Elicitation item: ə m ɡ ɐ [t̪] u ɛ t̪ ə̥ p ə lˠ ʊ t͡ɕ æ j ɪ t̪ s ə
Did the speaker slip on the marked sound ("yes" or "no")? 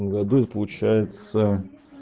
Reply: yes